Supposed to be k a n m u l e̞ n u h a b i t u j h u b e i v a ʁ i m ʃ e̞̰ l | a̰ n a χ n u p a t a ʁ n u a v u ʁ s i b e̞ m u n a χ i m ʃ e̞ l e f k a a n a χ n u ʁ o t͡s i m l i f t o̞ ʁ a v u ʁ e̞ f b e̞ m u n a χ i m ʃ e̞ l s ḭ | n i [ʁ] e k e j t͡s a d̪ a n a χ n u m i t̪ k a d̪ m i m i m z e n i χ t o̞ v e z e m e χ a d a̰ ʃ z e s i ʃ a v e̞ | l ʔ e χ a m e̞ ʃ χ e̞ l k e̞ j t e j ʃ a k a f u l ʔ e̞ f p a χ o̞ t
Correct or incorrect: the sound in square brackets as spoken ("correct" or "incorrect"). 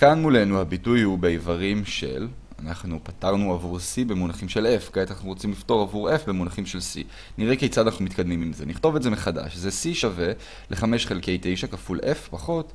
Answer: correct